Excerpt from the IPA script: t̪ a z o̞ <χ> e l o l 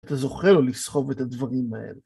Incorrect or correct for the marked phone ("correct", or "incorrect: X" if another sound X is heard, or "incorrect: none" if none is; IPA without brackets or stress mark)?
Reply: correct